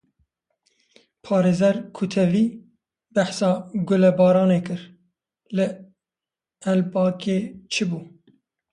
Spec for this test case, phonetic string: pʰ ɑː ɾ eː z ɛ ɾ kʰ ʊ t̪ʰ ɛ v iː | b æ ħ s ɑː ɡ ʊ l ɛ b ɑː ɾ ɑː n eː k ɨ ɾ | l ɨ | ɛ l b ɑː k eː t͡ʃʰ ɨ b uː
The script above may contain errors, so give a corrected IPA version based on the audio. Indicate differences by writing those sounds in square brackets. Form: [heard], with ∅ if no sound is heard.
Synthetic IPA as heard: pʰ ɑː ɾ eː z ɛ ɾ kʰ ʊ t̪ʰ ɛ v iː | b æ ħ s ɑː ɡ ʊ l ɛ b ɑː ɾ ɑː n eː k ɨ ɾ | l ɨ | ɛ l b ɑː k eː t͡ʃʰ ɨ b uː

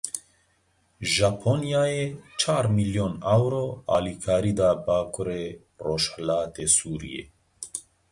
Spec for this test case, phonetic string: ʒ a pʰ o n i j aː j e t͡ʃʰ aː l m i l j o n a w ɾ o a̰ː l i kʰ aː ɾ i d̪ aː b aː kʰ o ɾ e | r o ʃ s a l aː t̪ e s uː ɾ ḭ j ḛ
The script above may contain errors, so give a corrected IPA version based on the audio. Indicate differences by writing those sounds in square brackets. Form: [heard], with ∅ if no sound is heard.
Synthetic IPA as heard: ʒ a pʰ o n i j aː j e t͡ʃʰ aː [ɾ] m i l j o n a w ɾ o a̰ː l i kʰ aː ɾ i d̪ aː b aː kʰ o ɾ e | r o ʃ [h] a l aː t̪ e s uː ɾ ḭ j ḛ

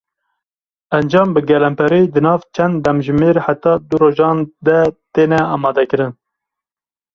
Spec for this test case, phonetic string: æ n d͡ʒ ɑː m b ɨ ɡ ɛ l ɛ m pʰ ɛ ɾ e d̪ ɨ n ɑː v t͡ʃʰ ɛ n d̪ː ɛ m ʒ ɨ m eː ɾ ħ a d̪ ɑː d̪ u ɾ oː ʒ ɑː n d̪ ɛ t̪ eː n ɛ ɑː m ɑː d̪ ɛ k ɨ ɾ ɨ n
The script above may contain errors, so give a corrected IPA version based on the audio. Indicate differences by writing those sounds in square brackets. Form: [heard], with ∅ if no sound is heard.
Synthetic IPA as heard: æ n d͡ʒ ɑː m b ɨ ɡ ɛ l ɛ m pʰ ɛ ɾ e d̪ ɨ n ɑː v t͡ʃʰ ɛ n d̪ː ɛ m ʒ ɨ m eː ɾ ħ a [t̪] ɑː d̪ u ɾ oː ʒ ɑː n d̪ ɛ t̪ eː n ɛ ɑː m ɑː d̪ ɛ k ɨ ɾ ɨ n

